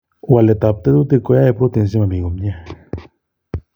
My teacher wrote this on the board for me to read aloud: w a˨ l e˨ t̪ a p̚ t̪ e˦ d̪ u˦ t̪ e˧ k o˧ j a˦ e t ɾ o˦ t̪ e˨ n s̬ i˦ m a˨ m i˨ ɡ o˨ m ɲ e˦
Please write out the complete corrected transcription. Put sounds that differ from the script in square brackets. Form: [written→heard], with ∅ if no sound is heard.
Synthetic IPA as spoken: w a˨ l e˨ t̪ a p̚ t̪ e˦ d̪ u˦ t̪ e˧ k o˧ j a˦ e [t→p] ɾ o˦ t̪ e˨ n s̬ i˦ m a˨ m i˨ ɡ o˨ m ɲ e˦